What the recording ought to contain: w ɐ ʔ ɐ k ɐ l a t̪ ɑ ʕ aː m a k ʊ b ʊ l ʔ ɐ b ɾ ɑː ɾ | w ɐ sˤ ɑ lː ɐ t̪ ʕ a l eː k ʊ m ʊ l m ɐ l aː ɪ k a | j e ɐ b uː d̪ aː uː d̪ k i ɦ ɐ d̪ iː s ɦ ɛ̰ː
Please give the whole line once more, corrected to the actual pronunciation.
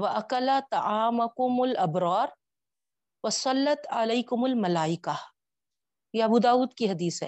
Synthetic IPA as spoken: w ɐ ʔ ɐ k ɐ l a t̪ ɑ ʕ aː m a k ʊ m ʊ l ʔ ɐ b ɾ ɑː ɾ | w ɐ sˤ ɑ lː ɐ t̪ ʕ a l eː k ʊ m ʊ l m ɐ l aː ɪ k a | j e ɐ b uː d̪ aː uː d̪ k i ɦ ɐ d̪ iː s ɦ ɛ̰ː